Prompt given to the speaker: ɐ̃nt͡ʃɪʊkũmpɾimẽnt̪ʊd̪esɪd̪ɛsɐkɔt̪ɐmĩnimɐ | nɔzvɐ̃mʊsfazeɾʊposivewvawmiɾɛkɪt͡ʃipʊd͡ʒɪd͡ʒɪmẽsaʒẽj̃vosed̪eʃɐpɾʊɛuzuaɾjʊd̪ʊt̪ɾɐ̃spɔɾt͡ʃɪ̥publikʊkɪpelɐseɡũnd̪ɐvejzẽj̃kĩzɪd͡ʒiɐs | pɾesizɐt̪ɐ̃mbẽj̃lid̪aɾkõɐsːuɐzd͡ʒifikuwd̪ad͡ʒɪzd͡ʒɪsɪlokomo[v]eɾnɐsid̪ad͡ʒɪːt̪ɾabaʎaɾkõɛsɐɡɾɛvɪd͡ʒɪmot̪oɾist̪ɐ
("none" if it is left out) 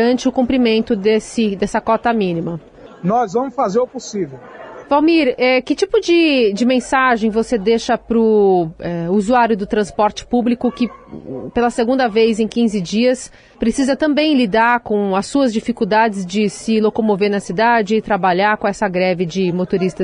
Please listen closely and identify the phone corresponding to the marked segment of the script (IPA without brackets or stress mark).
v